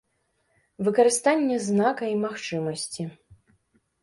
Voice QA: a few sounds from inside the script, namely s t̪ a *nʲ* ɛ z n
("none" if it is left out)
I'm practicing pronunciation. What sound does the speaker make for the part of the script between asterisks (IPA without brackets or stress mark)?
nʲː